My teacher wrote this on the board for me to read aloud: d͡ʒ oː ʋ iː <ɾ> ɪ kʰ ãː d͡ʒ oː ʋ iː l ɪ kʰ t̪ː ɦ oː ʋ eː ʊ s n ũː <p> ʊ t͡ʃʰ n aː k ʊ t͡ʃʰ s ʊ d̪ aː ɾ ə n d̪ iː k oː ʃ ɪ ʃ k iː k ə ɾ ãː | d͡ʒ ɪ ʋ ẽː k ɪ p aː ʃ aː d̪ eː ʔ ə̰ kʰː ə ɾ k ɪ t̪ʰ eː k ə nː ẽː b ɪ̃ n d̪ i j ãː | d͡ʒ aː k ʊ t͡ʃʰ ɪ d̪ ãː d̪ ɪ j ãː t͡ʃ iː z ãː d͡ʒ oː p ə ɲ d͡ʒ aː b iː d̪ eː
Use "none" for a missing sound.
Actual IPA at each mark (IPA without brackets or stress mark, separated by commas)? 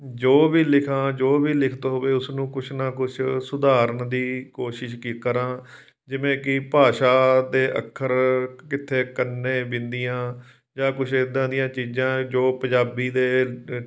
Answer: l, k